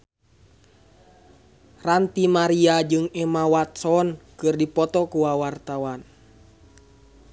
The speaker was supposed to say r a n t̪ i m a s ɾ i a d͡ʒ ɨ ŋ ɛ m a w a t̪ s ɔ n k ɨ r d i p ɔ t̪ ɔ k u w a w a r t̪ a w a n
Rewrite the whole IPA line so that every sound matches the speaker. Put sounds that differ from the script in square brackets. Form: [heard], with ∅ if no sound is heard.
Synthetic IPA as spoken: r a n t̪ i m a [∅] ɾ i a d͡ʒ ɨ ŋ ɛ m a w a t̪ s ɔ n k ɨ r d i p ɔ t̪ ɔ k u w a w a r t̪ a w a n

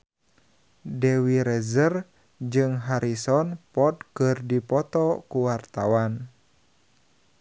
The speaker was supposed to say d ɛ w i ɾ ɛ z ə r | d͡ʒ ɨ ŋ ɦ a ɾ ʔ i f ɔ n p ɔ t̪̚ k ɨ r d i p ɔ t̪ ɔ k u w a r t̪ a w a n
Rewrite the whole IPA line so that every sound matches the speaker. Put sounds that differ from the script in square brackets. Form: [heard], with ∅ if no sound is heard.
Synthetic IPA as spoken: d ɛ w i ɾ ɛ z ə r | d͡ʒ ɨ ŋ ɦ a ɾ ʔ i [s] ɔ n p ɔ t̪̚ k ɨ r d i p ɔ t̪ ɔ k u w a r t̪ a w a n

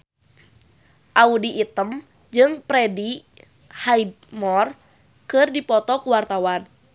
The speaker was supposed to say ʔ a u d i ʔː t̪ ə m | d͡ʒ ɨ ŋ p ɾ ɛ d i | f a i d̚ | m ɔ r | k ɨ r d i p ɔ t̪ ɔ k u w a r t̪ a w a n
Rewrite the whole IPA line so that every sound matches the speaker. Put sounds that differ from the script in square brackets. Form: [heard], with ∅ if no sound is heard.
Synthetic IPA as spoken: ʔ a u d i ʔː t̪ ə m | d͡ʒ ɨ ŋ p ɾ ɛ d i | [h] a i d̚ | m ɔ r | k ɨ r d i p ɔ t̪ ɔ k u w a r t̪ a w a n

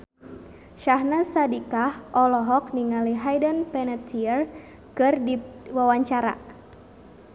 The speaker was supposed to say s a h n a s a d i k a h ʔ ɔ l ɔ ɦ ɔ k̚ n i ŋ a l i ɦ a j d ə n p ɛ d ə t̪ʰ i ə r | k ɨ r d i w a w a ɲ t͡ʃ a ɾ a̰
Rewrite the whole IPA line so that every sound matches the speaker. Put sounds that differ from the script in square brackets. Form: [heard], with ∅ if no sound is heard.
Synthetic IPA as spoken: [ʃ] a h n a s a d i k a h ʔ ɔ l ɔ ɦ ɔ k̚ n i ŋ a l i ɦ a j d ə n p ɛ [n] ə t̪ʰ i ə r | k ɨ r d i w a w a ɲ t͡ʃ a ɾ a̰

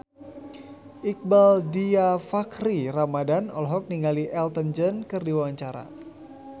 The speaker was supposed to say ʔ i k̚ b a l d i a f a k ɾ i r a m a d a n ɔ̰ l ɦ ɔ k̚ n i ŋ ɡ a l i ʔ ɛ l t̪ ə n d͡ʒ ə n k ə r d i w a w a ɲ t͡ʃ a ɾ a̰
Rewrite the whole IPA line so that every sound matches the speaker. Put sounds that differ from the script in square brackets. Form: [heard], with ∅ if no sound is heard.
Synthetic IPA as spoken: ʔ i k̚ b a l d i a f a k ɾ i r a m a d a n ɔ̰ l ɦ ɔ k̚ n i ŋ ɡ a l i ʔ ɛ l t̪ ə n d͡ʒ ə n k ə r d i w a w a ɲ t͡ʃ a ɾ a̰

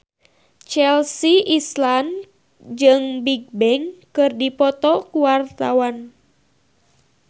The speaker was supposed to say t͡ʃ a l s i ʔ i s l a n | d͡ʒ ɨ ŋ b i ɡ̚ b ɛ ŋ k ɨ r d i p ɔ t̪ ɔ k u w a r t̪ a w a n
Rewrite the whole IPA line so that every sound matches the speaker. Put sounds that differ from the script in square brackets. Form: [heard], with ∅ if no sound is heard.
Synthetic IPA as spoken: t͡ʃ [ɛ] l s i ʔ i s l a n | d͡ʒ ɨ ŋ b i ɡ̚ b ɛ ŋ k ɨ r d i p ɔ t̪ ɔ k u w a r t̪ a w a n

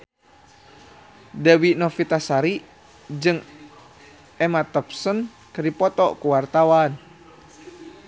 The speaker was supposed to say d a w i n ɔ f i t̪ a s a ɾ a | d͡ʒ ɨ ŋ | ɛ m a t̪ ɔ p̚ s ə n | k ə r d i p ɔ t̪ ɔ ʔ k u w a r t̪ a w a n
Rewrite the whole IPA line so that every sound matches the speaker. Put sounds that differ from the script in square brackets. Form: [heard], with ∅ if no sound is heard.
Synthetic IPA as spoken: d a w i n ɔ f i t̪ a s a ɾ [i] | d͡ʒ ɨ ŋ | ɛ m a t̪ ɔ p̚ s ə n | k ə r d i p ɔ t̪ ɔ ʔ k u w a r t̪ a w a n

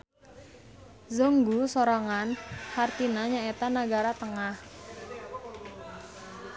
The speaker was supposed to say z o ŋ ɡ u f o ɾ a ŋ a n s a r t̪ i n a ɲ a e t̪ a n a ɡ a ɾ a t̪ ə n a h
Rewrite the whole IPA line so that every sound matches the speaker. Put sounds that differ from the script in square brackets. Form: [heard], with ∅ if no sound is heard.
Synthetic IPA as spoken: z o ŋ ɡ u [s] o ɾ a ŋ a n [h] a r t̪ i n a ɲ a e t̪ a n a ɡ a ɾ a t̪ ə [ŋ] a h

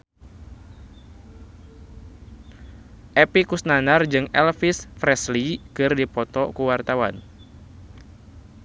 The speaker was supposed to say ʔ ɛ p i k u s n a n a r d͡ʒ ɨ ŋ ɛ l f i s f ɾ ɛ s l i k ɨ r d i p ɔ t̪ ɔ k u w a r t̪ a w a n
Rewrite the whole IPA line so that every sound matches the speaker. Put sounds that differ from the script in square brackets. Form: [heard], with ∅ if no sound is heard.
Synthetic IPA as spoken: ʔ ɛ p i k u s n a n a r d͡ʒ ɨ ŋ ɛ l f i s f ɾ ɛ s l i k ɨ r d i p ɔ t̪ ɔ k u w a r t̪ a w a n

